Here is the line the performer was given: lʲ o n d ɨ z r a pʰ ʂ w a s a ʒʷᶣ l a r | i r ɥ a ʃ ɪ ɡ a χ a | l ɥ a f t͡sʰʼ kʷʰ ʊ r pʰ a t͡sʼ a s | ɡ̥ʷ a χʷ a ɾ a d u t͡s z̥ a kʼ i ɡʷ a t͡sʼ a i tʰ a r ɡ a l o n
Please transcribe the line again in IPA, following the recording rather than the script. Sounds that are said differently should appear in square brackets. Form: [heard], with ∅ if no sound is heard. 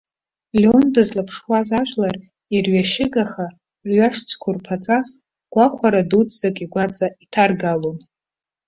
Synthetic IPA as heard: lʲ o n d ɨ z [l] a pʰ ʂ w a [z] a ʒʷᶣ l a r | i r ɥ a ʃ ɪ ɡ a χ a | [r] ɥ a [ʂ] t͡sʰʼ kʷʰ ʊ r pʰ a t͡sʼ a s | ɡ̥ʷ a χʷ a ɾ a d u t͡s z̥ a kʼ i ɡʷ a t͡sʼ a i tʰ a r ɡ a l o n